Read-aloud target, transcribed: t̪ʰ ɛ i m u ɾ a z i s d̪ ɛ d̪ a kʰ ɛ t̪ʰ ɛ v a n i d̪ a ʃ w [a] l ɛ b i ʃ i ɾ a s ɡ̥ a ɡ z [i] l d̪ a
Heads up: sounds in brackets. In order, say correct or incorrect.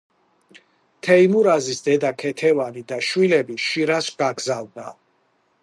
incorrect, incorrect

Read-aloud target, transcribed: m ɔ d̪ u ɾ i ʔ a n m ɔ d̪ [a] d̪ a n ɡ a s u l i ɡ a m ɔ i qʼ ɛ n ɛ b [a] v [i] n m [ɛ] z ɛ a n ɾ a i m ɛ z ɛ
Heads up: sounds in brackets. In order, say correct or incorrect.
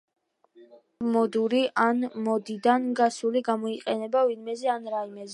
incorrect, correct, correct, correct

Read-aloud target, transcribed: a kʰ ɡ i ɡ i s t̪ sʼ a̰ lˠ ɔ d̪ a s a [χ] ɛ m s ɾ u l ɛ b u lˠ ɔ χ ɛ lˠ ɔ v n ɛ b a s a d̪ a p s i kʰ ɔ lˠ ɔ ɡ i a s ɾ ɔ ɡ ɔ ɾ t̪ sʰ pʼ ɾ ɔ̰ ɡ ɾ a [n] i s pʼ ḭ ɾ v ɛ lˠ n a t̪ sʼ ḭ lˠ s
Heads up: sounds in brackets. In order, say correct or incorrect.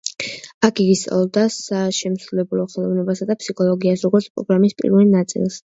incorrect, incorrect

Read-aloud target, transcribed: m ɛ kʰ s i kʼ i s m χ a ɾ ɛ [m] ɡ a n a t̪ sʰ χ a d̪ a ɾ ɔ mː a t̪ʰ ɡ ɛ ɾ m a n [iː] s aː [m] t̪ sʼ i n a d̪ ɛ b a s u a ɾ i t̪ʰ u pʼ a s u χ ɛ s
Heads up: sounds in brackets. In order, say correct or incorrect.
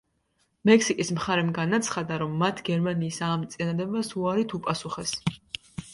correct, correct, correct

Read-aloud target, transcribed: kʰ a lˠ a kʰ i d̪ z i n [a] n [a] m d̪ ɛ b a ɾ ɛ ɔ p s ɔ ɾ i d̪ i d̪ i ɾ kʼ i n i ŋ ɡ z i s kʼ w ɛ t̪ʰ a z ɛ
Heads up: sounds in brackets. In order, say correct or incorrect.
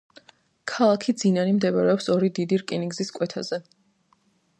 correct, incorrect

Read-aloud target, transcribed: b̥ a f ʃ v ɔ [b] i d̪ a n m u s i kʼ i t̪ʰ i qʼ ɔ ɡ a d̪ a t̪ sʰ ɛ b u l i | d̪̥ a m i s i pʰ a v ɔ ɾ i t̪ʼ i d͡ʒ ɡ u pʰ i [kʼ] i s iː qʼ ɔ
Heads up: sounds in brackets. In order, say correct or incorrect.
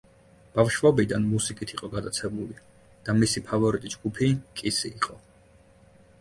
correct, correct

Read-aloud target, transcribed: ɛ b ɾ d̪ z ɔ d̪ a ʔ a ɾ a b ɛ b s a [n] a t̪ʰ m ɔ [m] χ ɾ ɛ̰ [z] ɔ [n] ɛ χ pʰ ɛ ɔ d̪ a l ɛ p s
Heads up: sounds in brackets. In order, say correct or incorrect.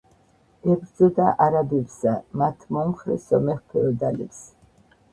incorrect, correct, incorrect, incorrect

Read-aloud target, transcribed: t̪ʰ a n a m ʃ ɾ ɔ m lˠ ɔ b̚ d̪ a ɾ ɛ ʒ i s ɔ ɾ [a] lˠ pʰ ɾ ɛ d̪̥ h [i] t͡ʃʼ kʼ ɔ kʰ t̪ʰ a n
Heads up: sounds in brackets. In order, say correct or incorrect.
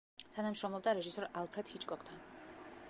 correct, correct

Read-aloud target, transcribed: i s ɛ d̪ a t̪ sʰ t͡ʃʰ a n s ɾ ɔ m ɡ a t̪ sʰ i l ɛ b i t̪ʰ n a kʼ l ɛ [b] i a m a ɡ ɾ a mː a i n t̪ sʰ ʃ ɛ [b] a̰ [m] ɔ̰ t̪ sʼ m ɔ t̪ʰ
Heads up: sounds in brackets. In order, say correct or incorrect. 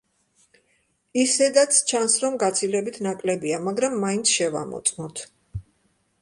correct, incorrect, correct

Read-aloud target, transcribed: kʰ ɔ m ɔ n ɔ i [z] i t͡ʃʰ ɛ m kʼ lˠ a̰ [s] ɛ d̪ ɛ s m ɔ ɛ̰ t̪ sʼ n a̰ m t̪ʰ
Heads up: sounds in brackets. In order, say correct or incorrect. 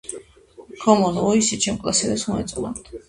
incorrect, correct

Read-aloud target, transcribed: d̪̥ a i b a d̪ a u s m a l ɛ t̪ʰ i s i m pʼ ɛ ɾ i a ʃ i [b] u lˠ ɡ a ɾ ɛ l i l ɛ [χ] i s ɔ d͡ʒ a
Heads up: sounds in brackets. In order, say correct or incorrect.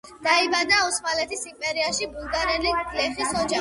correct, correct

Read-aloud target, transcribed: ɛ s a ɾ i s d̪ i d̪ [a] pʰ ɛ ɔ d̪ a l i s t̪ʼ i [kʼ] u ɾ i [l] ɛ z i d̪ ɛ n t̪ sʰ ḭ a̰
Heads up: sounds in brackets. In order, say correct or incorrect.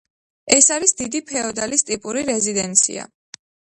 incorrect, incorrect, incorrect

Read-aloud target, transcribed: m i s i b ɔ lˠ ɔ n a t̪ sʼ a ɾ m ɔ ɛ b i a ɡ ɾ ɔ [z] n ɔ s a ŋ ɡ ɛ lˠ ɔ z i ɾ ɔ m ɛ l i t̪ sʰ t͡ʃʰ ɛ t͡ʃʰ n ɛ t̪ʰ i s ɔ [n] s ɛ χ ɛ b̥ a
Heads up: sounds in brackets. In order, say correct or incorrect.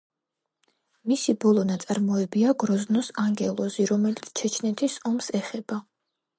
correct, incorrect

